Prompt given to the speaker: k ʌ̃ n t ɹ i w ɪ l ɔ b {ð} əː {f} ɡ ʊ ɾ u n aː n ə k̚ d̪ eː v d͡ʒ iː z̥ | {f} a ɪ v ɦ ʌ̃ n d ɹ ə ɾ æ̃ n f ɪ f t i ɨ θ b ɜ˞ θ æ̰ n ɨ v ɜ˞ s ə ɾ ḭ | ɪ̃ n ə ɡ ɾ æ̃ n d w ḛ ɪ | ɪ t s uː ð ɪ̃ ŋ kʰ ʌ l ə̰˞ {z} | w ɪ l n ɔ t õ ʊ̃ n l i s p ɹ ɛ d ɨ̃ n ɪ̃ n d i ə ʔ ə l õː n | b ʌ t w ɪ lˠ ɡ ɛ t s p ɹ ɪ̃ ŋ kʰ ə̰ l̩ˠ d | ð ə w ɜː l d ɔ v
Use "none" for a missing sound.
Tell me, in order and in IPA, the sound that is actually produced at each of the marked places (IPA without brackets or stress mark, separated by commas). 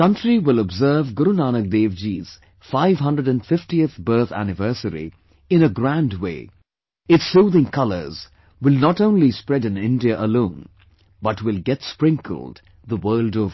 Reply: z, v, f, z